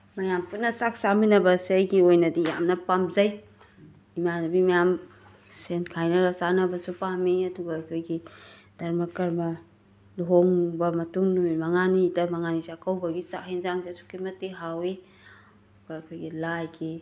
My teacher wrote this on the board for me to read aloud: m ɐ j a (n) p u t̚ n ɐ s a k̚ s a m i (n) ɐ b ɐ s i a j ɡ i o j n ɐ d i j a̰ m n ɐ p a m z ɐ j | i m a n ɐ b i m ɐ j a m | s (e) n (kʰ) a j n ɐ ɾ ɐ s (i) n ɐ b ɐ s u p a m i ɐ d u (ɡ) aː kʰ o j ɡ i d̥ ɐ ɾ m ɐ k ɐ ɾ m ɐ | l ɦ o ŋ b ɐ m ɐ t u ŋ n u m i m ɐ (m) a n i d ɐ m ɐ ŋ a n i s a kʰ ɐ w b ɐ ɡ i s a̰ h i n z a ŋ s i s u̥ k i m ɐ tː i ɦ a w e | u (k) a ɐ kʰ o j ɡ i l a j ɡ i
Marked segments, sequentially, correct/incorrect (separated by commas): incorrect, correct, correct, correct, incorrect, correct, incorrect, incorrect